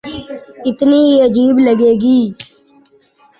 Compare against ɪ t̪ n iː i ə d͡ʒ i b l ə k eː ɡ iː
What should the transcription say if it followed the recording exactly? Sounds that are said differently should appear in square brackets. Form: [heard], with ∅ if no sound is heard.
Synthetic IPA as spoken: ɪ t̪ n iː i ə d͡ʒ [iː] b l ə [ɡ] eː ɡ iː